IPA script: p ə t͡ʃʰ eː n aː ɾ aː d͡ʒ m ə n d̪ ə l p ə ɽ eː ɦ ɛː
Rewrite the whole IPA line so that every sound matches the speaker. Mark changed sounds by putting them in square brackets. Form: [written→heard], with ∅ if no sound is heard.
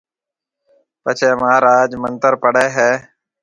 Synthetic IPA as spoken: p ə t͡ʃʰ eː [n→m] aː ɾ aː d͡ʒ m ə n [d̪→t̪] ə [l→ɾ] p ə ɽ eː ɦ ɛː